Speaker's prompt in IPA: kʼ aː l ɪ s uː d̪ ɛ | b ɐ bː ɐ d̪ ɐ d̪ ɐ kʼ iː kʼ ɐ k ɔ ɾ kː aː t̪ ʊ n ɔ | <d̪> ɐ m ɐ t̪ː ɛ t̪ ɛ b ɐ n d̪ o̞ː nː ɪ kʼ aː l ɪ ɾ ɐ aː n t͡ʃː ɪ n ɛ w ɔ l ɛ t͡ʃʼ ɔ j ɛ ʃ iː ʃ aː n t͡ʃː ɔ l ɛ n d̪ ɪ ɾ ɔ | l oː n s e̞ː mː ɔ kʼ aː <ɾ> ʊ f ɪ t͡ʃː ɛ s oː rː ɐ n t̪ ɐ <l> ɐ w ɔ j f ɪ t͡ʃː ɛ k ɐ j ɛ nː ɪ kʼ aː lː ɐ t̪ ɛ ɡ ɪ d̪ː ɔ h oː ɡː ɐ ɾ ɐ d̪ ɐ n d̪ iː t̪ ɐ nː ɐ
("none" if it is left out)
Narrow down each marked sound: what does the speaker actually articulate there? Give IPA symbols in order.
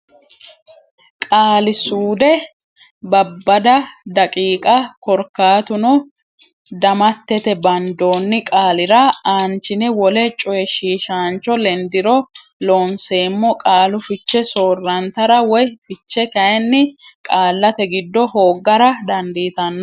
d̪, l, ɾ

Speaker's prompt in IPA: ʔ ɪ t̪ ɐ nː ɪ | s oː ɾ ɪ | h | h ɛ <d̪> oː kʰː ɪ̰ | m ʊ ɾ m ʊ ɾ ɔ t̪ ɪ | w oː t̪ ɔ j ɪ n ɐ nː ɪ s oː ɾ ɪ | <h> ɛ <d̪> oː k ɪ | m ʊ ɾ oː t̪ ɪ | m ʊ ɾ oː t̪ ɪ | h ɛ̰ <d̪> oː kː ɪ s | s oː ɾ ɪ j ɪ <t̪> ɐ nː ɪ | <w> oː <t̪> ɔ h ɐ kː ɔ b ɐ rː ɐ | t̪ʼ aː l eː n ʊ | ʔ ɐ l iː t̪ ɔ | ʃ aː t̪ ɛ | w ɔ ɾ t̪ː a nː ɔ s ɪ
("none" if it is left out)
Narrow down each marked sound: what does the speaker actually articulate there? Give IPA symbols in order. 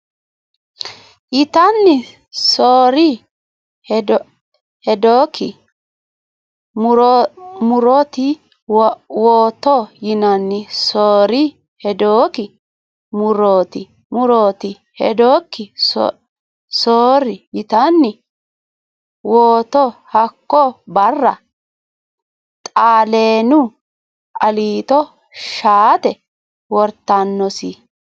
d̪, h, d̪, d̪, t̪, w, t̪

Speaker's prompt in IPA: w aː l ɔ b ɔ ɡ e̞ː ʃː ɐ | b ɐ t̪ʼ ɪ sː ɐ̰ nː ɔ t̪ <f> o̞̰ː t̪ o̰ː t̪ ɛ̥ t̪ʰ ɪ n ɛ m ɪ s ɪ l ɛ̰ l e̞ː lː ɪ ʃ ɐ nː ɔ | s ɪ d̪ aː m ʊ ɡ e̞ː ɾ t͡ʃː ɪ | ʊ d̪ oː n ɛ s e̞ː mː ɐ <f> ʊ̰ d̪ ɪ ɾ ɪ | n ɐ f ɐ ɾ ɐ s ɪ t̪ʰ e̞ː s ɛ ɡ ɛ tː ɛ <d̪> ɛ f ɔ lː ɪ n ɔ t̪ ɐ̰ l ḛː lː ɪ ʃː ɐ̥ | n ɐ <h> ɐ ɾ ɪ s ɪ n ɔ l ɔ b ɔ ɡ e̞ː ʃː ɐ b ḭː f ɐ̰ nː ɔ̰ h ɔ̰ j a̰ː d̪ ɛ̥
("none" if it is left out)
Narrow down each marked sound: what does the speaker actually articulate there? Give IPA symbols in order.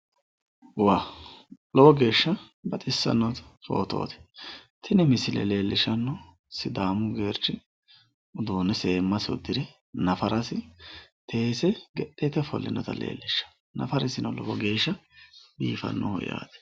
f, s, t̪, f

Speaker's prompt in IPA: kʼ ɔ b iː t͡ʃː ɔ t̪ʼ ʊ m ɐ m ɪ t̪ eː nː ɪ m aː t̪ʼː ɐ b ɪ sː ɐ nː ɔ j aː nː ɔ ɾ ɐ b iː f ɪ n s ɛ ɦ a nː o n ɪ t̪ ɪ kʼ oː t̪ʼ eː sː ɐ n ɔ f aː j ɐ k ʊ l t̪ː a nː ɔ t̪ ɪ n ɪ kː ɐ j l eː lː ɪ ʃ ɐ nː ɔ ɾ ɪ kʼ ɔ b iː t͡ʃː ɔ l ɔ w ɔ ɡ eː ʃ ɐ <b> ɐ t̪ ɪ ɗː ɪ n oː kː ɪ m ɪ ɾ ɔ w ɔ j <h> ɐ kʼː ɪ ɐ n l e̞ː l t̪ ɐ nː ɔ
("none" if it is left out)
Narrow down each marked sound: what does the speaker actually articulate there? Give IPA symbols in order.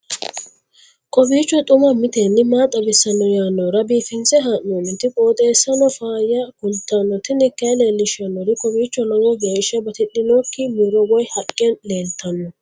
b, h

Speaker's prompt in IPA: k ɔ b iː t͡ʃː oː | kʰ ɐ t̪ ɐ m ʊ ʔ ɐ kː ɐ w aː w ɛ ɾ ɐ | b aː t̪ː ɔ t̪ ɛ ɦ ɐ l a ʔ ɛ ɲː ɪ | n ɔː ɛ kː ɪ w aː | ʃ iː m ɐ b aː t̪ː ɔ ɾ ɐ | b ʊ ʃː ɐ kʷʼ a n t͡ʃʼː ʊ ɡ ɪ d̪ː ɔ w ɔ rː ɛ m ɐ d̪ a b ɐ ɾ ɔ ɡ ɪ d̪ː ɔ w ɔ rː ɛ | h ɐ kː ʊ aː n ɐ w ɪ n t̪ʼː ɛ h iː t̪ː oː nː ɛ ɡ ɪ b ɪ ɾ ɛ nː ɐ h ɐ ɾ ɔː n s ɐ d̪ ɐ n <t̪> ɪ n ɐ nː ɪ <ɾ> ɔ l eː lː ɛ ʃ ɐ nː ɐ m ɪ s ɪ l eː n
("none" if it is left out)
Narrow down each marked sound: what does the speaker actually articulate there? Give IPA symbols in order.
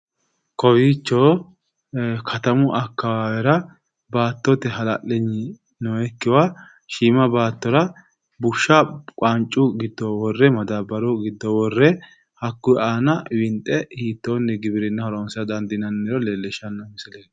d̪, ɾ

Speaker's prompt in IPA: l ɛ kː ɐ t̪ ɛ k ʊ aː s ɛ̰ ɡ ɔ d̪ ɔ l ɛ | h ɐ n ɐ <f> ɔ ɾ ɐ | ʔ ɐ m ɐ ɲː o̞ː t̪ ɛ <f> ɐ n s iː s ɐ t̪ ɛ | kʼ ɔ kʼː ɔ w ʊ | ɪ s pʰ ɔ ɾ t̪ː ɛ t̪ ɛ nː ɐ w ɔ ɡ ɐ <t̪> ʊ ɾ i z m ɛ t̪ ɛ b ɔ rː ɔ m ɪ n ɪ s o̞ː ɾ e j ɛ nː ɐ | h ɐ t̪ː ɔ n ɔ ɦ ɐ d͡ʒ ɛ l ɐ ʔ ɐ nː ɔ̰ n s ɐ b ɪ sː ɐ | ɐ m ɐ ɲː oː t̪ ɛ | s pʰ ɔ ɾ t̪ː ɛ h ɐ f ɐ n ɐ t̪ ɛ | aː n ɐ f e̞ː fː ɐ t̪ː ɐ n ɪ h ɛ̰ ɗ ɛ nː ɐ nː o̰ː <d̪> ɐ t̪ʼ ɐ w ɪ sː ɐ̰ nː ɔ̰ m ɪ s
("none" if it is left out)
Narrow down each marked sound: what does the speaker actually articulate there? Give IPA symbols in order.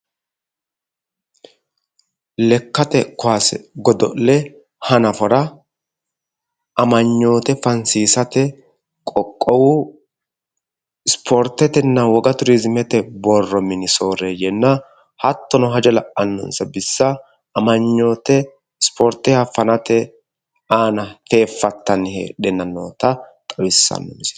f, f, t̪, t̪

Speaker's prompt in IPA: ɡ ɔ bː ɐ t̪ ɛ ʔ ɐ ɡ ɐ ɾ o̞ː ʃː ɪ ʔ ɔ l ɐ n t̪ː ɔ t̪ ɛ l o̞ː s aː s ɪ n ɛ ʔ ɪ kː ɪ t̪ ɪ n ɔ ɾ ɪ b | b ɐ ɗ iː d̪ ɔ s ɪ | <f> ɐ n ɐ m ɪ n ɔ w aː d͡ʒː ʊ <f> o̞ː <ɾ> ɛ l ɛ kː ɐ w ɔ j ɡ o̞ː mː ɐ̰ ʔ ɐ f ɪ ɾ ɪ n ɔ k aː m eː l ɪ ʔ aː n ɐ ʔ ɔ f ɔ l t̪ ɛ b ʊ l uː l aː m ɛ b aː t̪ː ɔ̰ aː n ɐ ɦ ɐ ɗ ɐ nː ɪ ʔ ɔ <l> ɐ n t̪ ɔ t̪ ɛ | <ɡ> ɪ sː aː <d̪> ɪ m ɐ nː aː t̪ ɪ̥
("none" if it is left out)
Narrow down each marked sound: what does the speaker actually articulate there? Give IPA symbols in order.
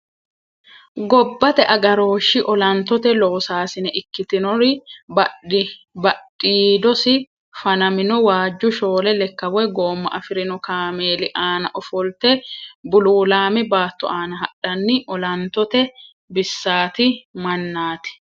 f, ʃ, l, l, b, t̪

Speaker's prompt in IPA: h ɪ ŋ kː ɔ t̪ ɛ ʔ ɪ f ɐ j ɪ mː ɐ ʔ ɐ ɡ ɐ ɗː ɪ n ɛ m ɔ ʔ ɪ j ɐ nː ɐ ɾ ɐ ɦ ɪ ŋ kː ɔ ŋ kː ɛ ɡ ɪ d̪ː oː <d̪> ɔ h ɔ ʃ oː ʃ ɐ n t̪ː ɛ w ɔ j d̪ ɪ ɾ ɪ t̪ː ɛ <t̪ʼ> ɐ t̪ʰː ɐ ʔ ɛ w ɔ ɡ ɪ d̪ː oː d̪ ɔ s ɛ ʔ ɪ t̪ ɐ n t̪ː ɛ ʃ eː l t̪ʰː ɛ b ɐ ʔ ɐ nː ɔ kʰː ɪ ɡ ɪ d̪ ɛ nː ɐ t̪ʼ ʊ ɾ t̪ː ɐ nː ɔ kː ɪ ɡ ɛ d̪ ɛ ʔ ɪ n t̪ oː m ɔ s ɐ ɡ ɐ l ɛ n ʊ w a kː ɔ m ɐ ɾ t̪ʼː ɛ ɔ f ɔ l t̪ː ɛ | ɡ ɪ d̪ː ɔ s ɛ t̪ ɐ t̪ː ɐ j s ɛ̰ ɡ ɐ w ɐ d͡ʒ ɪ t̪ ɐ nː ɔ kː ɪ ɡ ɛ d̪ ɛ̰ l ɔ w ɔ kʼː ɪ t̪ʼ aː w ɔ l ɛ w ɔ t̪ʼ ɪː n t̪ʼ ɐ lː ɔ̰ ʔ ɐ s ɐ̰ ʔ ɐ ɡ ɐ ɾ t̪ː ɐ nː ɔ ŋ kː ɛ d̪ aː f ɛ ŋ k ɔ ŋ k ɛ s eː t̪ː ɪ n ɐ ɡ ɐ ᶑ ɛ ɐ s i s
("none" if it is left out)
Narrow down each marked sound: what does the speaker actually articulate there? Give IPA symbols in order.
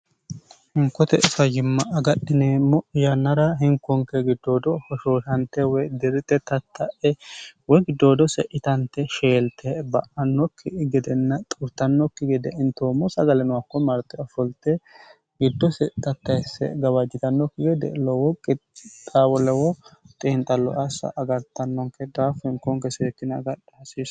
d̪, t̪

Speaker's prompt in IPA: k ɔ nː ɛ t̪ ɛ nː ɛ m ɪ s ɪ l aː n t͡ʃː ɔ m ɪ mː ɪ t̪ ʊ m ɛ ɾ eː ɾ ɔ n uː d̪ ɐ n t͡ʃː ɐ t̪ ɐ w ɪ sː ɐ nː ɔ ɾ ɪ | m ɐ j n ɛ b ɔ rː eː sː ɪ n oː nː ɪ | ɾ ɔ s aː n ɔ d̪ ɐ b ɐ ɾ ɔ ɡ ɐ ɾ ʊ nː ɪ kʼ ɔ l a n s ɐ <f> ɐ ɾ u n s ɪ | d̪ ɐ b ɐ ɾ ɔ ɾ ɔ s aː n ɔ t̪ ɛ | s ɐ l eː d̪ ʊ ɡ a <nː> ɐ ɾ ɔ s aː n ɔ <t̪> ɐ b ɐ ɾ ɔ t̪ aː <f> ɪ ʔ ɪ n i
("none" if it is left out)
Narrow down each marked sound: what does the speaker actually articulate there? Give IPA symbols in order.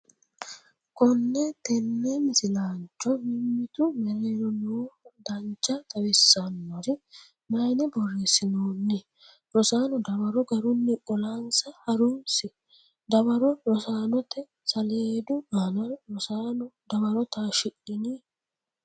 h, n, d̪, ʃ

